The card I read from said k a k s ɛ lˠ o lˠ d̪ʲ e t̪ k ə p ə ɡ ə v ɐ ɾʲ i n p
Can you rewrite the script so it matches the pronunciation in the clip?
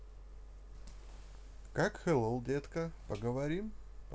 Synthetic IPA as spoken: k a k x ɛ lˠ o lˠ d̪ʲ e t̪ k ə p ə ɡ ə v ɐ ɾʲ i m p